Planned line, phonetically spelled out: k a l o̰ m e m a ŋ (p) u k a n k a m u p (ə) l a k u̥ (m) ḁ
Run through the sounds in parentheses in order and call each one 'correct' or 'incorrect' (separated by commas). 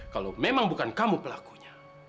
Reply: incorrect, correct, incorrect